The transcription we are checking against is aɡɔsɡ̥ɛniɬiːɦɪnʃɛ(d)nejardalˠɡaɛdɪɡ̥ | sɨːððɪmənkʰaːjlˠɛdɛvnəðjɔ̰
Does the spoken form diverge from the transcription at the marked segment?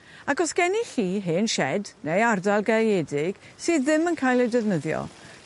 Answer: no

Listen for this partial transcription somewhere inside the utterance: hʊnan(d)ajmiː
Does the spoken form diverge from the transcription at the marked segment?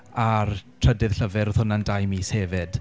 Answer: no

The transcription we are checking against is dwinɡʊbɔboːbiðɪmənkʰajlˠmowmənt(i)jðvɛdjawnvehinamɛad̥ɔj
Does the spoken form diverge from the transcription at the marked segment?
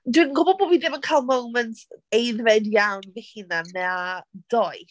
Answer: yes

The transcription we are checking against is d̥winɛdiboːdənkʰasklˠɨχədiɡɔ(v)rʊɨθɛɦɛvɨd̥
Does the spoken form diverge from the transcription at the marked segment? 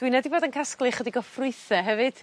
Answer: yes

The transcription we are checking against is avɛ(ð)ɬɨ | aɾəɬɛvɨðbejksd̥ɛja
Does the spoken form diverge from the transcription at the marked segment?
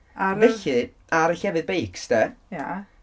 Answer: yes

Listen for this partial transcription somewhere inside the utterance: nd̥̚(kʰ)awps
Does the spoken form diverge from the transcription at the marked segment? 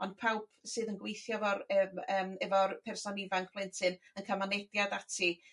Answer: yes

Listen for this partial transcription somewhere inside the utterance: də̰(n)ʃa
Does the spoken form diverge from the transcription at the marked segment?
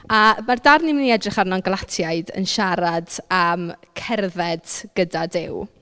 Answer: no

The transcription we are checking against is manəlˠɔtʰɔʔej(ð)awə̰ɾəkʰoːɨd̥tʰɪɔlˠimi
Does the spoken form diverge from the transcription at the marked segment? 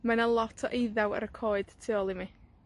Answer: no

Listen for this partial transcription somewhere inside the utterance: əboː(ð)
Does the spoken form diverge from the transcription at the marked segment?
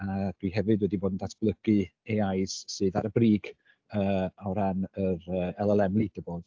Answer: no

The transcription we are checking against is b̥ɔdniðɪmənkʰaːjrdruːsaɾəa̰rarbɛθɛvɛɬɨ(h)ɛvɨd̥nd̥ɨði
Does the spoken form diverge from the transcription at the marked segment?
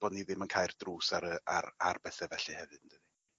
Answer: no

